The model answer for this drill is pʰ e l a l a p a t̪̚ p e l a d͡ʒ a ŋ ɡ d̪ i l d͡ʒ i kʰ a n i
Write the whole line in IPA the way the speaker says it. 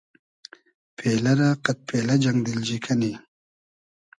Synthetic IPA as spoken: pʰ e l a ɾ a q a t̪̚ p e l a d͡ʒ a ŋ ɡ d̪ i l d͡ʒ i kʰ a n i

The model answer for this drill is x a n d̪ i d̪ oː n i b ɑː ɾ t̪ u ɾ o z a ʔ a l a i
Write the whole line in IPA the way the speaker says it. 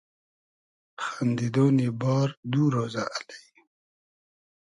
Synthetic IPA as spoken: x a n d̪ i d̪ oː n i b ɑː ɾ d̪ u ɾ o z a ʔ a l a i

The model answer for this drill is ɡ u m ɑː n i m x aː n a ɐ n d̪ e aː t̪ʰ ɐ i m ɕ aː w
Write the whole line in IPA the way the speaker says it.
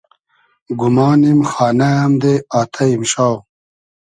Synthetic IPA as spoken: ɡ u m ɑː n i m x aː n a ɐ m d̪ e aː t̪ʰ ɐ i m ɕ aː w

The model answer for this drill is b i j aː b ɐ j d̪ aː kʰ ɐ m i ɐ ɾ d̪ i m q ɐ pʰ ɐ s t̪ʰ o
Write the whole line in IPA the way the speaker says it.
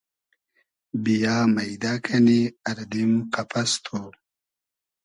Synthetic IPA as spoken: b i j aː m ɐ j d̪ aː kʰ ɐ n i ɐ ɾ d̪ i m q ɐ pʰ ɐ s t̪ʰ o

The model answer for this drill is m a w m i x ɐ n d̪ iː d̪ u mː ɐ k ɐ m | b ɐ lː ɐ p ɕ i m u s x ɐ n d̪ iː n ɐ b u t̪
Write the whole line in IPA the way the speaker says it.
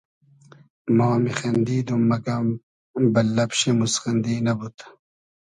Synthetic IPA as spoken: m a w m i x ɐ n d̪ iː d̪ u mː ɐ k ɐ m | b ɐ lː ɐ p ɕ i m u s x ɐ n d̪ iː n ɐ b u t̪

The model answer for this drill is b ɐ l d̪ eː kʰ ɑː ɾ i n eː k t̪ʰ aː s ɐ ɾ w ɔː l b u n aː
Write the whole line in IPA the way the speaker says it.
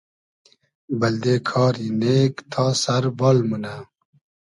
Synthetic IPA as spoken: b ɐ l d̪ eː kʰ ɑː ɾ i n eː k t̪ʰ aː s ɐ ɾ b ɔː l m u n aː

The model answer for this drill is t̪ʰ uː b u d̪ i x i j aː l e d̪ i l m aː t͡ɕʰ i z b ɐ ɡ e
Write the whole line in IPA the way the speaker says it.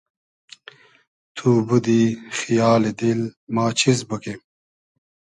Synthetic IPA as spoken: t̪ʰ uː b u d̪ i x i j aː l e d̪ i l m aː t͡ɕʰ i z b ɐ k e

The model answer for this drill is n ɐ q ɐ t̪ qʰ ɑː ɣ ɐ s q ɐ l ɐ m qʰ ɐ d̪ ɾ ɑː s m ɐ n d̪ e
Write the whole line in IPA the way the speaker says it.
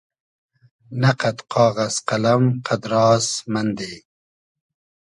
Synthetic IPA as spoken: n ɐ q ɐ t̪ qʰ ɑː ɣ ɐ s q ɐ l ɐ m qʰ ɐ d̪ ɾ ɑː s m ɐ n d̪ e

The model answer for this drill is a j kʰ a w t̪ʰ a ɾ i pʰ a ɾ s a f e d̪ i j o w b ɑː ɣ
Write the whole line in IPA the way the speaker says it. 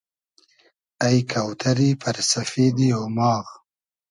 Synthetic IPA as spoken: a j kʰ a w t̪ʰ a ɾ i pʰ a ɾ s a f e d̪ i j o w m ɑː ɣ

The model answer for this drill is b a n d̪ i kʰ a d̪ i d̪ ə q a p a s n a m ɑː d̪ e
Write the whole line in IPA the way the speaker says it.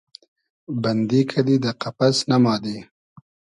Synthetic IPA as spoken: b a n d̪ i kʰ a d̪ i d̪ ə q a p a s n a m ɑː d̪ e

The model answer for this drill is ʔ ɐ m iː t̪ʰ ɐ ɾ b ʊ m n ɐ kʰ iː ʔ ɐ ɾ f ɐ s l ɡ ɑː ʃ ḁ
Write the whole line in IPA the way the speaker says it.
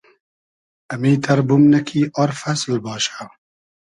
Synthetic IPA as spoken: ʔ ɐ m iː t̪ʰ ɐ ɾ b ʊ m n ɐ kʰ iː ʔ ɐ ɾ f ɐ s l b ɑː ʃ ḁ

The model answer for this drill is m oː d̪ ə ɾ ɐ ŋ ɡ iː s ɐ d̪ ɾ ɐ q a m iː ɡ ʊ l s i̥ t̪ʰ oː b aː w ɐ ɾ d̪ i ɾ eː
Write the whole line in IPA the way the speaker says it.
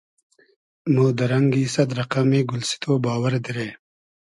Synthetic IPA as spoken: m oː d̪ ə ɾ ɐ ŋ ɡ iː s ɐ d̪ ɾ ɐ q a m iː ɡ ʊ l s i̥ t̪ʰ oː b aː w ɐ ɾ d̪ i ɾ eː

